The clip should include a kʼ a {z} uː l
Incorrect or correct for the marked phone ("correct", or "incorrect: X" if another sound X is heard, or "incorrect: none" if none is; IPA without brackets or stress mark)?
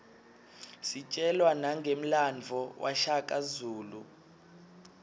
correct